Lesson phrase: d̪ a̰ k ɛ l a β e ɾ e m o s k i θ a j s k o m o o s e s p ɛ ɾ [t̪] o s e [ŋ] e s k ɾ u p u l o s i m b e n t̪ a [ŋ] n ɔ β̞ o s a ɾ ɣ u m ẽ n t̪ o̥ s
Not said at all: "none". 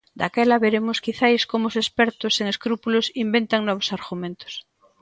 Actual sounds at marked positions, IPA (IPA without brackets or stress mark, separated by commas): t̪, ŋ, ŋ